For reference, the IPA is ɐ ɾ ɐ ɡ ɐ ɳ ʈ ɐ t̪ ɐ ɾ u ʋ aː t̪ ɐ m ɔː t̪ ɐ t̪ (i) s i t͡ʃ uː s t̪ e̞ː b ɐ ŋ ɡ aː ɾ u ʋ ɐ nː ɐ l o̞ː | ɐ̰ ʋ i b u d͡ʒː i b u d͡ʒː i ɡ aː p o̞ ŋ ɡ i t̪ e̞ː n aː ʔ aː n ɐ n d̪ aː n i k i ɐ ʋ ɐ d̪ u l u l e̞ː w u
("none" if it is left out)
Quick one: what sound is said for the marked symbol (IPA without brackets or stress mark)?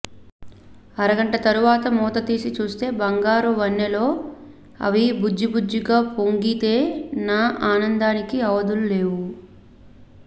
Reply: iː